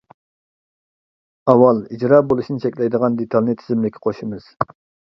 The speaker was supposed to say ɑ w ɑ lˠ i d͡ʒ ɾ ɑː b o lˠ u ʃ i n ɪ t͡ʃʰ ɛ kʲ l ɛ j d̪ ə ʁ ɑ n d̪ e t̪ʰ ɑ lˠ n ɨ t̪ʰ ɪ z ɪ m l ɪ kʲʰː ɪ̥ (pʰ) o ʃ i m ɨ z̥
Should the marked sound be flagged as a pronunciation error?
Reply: yes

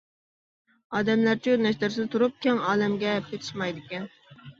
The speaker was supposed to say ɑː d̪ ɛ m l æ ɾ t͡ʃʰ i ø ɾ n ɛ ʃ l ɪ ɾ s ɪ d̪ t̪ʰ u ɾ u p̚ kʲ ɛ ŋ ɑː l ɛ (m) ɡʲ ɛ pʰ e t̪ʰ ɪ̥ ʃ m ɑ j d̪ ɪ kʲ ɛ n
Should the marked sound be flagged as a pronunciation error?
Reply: no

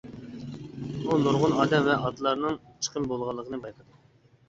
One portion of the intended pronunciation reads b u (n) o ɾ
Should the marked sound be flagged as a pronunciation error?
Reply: no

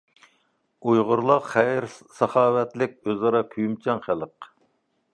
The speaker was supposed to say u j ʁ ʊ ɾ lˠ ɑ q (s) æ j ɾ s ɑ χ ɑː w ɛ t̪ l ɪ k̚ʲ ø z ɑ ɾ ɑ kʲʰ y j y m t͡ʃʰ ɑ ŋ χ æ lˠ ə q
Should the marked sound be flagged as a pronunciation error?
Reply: yes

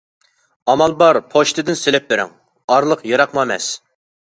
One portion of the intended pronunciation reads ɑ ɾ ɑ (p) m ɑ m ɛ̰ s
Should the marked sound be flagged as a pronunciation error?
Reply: yes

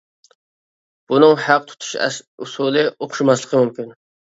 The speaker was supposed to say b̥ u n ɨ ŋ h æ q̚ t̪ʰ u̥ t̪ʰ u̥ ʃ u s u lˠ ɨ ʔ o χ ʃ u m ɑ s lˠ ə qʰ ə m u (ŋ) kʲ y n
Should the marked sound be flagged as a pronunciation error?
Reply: yes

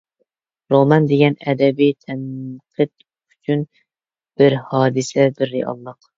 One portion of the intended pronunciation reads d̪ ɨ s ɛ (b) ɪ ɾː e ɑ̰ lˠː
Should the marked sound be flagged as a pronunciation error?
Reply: no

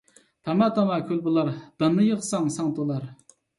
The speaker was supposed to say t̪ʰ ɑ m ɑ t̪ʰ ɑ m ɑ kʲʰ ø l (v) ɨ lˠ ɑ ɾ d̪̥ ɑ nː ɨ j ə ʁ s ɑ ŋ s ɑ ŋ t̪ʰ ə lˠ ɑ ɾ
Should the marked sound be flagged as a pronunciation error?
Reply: yes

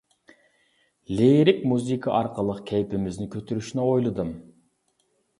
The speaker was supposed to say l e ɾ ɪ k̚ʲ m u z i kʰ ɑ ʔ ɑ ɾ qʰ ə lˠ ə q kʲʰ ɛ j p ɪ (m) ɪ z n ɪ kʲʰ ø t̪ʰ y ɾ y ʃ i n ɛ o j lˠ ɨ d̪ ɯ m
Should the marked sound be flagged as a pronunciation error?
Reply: no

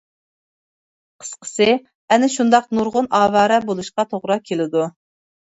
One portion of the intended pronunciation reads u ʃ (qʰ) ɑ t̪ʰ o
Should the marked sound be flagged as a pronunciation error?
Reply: yes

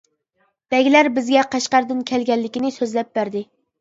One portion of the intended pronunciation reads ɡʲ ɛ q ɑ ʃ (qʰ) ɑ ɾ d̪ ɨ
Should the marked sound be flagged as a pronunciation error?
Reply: yes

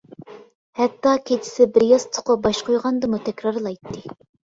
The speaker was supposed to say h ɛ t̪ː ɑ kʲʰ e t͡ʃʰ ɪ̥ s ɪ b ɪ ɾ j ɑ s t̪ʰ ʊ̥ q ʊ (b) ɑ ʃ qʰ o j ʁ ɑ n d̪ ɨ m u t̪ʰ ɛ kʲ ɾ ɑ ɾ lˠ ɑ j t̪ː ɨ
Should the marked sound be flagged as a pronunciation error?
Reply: no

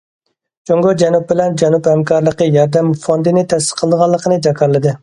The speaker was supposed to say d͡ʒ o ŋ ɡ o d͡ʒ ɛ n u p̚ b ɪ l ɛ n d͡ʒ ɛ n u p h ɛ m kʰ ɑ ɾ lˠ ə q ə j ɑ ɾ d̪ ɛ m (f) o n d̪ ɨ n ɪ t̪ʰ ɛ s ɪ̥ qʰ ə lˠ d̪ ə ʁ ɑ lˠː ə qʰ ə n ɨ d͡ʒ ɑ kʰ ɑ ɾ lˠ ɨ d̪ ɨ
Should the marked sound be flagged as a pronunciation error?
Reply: no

